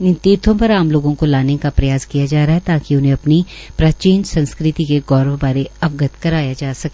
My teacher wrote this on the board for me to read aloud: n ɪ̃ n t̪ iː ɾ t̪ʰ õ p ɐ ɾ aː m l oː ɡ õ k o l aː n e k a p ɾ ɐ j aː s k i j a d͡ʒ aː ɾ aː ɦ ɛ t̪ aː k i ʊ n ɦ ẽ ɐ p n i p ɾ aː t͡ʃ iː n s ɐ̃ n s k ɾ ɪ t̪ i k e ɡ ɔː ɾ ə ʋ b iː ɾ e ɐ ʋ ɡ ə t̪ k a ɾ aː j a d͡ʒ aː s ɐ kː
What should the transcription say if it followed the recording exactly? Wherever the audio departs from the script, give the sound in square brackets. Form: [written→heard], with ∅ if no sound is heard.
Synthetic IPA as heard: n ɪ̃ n t̪ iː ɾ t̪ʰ õ p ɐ ɾ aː m l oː ɡ õ k o l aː n e k a p ɾ ɐ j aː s k i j a d͡ʒ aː ɾ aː ɦ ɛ t̪ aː k i ʊ n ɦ ẽ ɐ p n i p ɾ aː t͡ʃ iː n s ɐ̃ n s k ɾ ɪ t̪ i k e ɡ ɔː ɾ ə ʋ b [iː→aː] ɾ e ɐ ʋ ɡ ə t̪ k [a→ɐ] ɾ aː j a d͡ʒ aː s ɐ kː